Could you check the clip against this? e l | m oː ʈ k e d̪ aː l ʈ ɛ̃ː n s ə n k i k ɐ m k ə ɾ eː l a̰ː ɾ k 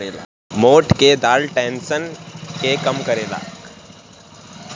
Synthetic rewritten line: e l | m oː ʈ k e d̪ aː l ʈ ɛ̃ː n s ə n k e k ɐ m k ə ɾ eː l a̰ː k